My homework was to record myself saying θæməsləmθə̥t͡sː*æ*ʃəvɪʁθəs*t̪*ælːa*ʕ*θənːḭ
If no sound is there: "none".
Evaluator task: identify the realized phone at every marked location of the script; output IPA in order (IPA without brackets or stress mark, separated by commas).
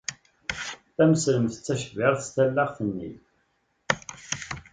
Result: æ, t̪, ʁ